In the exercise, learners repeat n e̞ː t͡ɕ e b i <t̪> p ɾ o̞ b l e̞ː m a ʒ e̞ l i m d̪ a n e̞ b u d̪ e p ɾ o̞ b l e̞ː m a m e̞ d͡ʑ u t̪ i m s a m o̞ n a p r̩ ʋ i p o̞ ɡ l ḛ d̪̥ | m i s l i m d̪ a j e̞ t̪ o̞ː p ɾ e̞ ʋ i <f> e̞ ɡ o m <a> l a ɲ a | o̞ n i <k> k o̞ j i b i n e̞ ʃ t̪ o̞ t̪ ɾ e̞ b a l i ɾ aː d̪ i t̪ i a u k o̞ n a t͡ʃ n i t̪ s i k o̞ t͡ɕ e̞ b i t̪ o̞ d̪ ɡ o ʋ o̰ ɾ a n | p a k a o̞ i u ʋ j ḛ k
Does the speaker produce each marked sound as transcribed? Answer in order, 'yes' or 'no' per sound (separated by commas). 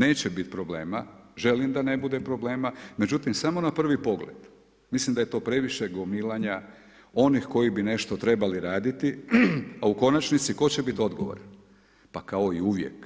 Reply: yes, no, no, no